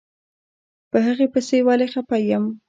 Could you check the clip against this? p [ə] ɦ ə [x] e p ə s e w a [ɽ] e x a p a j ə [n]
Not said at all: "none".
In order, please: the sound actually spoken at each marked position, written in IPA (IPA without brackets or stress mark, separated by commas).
ə, ɣ, l, m